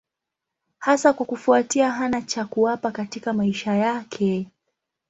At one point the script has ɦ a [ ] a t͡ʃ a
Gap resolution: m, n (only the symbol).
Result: n